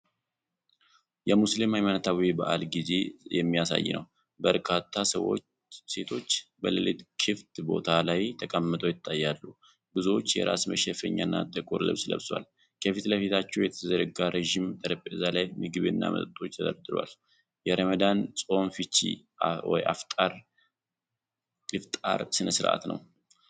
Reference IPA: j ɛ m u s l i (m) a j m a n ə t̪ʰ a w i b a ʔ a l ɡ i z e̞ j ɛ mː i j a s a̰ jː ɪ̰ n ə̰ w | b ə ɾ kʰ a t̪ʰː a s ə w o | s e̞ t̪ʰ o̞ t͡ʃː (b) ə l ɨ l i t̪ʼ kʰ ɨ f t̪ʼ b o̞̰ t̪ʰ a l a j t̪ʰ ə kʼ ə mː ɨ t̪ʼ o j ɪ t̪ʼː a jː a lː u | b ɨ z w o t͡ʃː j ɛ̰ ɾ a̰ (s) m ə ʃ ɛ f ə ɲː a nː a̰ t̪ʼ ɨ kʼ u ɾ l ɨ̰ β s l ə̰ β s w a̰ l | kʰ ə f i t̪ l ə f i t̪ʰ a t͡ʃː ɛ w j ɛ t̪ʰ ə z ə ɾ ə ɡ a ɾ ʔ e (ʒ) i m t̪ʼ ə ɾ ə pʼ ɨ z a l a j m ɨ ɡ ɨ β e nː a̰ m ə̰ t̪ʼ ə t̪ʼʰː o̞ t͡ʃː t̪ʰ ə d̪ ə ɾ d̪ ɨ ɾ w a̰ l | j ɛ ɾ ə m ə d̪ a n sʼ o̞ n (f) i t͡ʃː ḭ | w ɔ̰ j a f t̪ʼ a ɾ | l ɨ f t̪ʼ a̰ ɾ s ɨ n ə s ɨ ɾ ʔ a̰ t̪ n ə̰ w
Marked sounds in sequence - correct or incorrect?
correct, correct, correct, correct, correct

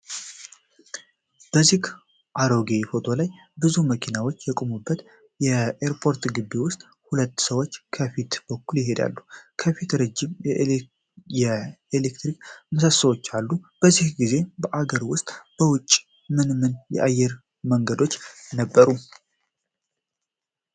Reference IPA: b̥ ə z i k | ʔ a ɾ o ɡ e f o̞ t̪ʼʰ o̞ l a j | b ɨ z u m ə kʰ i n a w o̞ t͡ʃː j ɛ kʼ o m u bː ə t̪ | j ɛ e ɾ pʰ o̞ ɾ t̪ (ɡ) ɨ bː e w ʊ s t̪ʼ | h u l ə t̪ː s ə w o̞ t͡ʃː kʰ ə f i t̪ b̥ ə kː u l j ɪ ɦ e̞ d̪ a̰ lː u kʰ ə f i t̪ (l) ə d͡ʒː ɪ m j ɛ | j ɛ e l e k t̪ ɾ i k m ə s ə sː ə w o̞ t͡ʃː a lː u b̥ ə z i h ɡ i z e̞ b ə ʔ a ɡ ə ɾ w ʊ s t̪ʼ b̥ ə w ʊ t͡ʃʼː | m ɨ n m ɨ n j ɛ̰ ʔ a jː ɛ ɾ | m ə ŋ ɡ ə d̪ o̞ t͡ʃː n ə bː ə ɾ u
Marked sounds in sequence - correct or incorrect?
correct, incorrect: ɾ

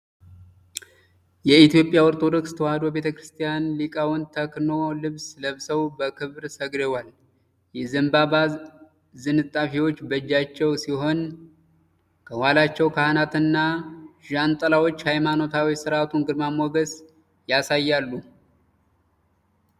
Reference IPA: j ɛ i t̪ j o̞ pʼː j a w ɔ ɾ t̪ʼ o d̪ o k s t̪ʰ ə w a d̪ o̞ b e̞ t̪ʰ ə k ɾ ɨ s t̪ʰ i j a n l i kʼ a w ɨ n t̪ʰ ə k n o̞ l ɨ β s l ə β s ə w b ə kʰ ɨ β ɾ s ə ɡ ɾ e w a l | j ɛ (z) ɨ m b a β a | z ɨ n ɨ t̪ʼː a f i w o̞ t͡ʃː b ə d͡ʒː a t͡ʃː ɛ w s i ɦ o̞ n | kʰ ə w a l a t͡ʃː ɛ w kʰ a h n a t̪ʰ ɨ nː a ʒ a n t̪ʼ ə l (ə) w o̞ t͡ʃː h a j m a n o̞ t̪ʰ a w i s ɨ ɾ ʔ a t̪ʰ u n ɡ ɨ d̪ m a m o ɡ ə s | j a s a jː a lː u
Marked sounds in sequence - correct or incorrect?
correct, incorrect: a

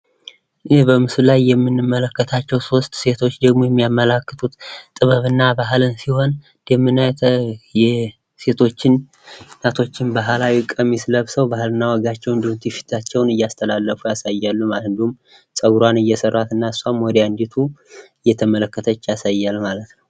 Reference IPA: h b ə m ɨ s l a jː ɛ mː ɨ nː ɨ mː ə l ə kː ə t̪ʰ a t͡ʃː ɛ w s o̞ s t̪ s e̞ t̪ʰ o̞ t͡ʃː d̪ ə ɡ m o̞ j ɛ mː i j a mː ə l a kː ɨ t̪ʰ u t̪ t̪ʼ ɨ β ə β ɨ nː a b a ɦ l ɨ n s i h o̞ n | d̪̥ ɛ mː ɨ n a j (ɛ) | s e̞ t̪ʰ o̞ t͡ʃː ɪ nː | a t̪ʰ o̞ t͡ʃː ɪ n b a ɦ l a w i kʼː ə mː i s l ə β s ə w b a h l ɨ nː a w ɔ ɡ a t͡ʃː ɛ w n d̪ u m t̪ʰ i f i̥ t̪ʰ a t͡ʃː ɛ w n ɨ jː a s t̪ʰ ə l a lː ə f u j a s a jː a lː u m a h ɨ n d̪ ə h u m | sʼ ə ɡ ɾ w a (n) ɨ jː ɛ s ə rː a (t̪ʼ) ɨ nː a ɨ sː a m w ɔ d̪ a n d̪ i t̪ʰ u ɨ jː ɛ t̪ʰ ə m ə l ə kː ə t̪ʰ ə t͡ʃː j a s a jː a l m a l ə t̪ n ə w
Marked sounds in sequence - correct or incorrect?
correct, correct, incorrect: t̪

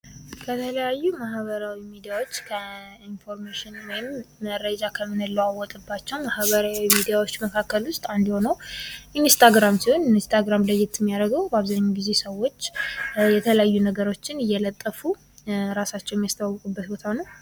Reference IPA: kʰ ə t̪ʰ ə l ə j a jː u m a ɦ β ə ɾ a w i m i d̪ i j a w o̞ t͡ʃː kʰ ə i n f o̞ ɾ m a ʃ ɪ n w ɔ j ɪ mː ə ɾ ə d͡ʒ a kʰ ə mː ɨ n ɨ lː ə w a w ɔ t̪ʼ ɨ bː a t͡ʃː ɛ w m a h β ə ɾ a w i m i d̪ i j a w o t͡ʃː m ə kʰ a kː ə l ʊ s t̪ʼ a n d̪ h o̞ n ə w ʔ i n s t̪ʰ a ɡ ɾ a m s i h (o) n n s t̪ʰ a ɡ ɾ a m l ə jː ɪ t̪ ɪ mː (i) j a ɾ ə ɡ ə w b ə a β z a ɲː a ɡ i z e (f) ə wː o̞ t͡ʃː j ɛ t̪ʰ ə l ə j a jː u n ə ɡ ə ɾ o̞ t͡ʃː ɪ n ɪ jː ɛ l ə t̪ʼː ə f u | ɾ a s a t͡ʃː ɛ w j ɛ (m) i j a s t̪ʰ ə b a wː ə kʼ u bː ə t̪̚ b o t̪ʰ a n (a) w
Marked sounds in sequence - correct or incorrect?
correct, correct, incorrect: s, correct, incorrect: ə

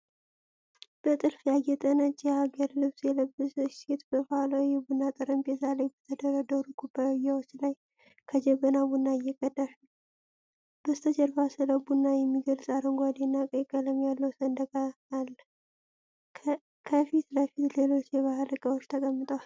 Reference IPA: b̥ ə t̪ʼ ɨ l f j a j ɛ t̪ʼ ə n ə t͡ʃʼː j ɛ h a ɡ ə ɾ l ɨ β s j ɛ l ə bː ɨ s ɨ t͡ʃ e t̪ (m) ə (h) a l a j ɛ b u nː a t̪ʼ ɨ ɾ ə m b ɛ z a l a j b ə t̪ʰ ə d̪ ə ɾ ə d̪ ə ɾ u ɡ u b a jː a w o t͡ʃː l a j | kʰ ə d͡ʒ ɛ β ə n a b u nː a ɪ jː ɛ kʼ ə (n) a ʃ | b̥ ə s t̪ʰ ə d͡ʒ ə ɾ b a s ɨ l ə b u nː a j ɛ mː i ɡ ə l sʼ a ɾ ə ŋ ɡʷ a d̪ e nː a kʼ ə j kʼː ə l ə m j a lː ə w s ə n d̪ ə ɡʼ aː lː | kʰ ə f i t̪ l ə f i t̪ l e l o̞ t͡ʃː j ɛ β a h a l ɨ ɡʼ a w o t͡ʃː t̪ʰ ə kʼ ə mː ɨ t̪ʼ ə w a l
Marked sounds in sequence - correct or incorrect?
incorrect: b, incorrect: f, incorrect: d

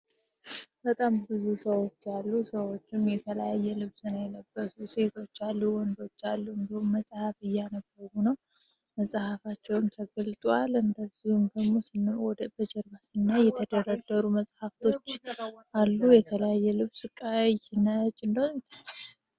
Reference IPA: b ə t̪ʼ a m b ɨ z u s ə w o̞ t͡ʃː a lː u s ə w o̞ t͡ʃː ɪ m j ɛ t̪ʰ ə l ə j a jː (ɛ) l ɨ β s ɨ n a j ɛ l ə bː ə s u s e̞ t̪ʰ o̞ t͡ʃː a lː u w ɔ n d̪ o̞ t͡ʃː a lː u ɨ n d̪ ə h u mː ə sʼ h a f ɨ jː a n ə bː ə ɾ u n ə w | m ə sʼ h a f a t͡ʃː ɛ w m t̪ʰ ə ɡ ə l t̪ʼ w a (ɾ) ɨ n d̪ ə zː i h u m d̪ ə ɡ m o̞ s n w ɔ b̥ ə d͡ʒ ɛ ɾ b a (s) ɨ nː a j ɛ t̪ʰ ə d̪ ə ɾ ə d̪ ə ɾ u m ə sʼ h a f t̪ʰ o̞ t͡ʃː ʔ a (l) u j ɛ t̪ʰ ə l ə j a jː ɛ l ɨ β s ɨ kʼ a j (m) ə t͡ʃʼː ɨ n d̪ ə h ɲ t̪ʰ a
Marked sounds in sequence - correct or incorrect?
correct, incorrect: l, correct, incorrect: lː, incorrect: n

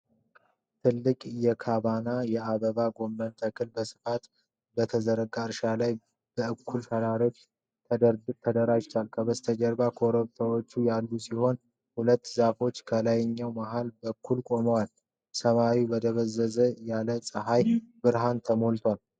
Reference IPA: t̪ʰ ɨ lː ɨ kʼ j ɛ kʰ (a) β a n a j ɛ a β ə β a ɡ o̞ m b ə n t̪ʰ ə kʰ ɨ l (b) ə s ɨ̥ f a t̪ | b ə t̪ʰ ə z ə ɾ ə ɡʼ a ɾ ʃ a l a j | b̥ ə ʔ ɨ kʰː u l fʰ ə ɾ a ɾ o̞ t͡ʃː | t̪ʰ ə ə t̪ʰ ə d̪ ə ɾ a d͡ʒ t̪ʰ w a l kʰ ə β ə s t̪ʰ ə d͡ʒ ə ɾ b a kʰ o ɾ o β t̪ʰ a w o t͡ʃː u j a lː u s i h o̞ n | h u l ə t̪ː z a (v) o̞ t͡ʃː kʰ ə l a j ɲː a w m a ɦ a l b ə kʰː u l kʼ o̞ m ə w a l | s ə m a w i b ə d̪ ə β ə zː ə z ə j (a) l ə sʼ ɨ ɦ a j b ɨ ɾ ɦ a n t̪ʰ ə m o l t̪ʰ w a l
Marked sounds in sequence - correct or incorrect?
correct, correct, incorrect: f, correct

